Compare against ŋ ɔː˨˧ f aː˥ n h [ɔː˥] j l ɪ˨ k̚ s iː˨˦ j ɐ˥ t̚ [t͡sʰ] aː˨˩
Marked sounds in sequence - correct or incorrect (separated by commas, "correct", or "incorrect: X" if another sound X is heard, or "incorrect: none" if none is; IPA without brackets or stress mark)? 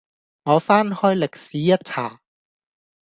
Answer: correct, correct